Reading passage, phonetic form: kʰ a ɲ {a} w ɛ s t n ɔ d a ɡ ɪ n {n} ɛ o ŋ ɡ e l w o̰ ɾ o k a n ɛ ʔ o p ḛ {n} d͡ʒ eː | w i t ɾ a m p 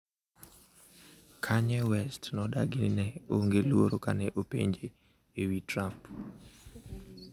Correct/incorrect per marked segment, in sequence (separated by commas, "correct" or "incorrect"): incorrect, correct, incorrect